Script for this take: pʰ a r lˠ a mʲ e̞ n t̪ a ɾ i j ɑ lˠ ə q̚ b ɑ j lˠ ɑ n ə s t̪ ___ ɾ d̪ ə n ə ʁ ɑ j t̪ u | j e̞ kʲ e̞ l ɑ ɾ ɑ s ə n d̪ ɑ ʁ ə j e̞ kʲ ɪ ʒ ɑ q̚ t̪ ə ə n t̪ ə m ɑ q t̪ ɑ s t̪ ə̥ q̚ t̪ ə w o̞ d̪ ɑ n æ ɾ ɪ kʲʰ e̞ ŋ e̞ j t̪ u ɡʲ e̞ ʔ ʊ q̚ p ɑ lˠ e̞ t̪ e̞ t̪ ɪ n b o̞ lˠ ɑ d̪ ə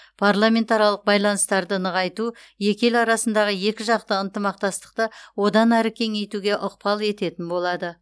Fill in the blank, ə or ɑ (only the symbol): ɑ